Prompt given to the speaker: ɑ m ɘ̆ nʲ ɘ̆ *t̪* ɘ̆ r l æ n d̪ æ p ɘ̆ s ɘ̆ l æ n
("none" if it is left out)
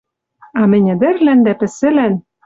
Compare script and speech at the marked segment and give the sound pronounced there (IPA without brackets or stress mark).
d̪